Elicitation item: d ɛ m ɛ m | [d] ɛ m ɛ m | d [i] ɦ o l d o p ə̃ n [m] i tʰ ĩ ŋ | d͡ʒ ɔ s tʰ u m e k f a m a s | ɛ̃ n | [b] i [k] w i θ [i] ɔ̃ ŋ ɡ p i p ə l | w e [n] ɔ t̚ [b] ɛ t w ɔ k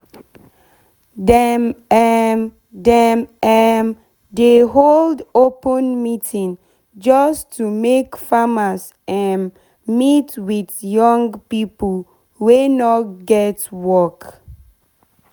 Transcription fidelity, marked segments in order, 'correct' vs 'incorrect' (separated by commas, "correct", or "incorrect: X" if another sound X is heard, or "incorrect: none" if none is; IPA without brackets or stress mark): correct, incorrect: e, correct, incorrect: m, incorrect: t, incorrect: j, correct, incorrect: ɡ